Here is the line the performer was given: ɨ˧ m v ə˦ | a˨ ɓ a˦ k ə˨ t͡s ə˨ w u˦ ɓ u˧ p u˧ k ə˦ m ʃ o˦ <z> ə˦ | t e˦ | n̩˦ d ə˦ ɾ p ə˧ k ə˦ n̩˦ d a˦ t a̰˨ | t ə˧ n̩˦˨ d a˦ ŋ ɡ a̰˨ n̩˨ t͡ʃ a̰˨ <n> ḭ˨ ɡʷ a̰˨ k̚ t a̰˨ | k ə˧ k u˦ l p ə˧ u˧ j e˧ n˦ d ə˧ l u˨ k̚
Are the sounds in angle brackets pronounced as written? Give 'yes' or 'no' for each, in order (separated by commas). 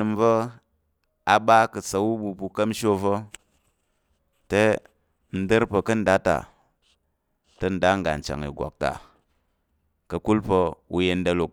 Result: no, no